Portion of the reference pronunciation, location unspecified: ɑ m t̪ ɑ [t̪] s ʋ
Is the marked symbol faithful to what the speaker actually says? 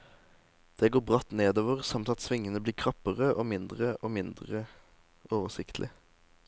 yes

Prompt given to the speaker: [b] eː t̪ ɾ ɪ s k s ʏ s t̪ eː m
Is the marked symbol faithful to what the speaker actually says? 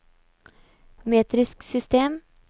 no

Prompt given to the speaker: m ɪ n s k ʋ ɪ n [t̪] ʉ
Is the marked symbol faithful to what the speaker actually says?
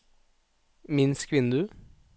no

